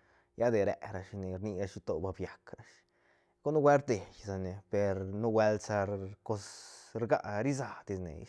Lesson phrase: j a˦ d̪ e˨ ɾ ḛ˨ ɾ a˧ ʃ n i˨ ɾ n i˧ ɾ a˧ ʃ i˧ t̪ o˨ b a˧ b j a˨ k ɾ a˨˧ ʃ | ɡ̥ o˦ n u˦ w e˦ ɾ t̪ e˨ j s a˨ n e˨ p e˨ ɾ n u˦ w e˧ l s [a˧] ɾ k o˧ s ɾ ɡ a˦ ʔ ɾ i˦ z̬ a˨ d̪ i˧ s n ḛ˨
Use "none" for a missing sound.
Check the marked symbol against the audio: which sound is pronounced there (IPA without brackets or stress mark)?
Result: a˧